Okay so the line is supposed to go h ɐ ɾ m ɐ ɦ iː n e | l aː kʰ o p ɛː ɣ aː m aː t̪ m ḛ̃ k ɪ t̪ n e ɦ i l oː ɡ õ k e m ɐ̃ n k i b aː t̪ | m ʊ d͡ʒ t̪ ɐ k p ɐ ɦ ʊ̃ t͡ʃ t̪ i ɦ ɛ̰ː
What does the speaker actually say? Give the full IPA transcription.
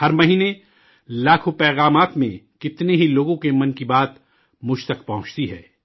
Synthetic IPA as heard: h ɐ ɾ m ɐ ɦ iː n e | l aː kʰ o p ɛː ɣ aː m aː t̪ m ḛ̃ k ɪ t̪ n e ɦ i l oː ɡ õ k e m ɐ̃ n k i b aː t̪ | m ʊ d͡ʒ t̪ ɐ k p ɐ ɦ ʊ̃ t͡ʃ t̪ i ɦ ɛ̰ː